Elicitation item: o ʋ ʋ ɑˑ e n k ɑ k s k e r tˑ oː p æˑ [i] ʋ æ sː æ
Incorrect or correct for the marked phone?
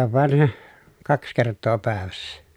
incorrect: e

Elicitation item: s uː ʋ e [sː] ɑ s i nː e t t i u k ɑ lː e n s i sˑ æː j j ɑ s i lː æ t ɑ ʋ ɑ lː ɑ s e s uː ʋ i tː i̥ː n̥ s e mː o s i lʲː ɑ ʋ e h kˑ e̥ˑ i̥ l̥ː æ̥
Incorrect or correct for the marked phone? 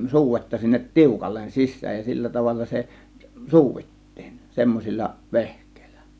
incorrect: tː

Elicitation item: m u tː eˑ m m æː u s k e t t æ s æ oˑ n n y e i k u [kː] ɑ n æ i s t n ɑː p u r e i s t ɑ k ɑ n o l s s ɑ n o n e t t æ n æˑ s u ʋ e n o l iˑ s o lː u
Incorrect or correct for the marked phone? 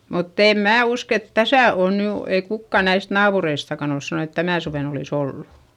correct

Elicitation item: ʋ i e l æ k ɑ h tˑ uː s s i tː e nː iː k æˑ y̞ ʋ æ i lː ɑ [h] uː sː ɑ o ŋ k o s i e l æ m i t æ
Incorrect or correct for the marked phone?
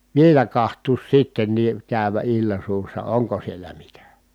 incorrect: s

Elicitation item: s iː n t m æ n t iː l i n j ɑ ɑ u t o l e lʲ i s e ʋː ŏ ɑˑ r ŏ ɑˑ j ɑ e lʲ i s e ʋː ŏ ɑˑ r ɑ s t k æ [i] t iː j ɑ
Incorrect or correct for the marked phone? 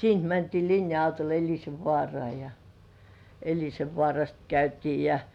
incorrect: y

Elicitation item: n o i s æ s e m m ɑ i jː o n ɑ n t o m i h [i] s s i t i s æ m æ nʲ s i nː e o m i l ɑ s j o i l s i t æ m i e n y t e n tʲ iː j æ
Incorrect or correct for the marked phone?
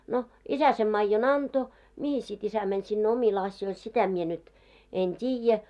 correct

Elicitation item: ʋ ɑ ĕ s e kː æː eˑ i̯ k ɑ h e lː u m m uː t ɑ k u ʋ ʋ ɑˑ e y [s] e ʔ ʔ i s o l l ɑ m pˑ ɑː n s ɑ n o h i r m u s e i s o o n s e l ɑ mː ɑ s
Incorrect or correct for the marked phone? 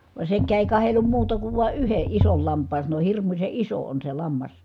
incorrect: h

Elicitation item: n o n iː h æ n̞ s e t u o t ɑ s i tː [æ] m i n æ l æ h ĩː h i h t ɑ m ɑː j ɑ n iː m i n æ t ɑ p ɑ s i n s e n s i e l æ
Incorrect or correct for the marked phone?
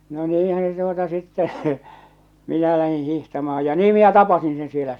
incorrect: ɛ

